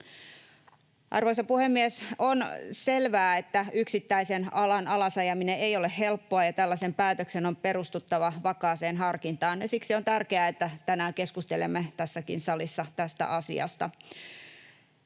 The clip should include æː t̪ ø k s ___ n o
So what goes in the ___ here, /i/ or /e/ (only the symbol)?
e